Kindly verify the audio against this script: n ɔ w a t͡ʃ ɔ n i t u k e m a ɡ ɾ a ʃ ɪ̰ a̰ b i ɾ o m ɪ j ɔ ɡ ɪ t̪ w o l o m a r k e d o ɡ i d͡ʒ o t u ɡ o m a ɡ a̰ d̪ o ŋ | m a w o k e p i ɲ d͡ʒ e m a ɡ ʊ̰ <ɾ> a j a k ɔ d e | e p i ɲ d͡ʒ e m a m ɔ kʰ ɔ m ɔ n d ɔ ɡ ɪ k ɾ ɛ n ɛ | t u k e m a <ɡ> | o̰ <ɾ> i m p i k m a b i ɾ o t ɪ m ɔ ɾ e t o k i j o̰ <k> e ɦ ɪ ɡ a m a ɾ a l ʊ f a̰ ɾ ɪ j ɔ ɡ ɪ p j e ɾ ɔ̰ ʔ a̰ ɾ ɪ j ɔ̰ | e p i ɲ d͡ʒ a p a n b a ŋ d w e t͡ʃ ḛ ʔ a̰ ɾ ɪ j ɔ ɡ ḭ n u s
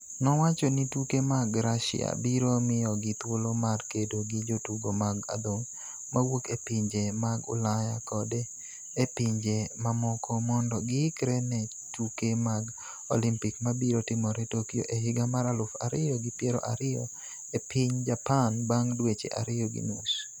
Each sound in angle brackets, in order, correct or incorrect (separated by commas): incorrect, correct, incorrect, incorrect